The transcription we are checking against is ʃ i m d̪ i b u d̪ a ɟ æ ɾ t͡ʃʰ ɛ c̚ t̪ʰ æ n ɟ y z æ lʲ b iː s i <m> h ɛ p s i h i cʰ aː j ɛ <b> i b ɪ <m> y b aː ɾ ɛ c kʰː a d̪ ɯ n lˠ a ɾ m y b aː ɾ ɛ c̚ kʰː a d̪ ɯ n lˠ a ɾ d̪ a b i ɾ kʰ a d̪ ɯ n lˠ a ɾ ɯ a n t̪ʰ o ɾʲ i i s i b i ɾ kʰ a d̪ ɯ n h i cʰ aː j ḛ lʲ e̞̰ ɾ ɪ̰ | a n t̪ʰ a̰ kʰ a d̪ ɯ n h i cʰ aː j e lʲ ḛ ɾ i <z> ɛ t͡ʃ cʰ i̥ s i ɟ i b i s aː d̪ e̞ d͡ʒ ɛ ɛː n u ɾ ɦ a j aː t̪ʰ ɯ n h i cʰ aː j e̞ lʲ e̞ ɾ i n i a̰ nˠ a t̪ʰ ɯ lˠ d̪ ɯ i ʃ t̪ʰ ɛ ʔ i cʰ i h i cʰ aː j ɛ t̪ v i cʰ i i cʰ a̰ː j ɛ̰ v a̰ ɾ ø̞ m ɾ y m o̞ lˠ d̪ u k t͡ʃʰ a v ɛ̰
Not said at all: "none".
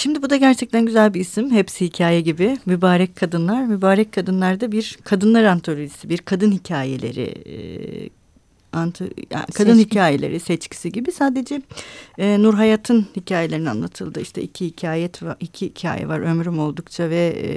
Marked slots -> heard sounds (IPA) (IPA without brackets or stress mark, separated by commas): m, ɟ, m, s